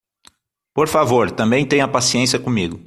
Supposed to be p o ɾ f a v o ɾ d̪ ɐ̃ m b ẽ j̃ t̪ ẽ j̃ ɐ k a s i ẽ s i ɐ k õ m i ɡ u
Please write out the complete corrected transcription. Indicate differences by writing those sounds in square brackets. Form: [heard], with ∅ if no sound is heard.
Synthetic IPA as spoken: p o ɾ f a v o ɾ [t̪] ɐ̃ m b ẽ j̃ t̪ ẽ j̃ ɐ [p] a s i ẽ s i ɐ k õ m i ɡ [ʊ]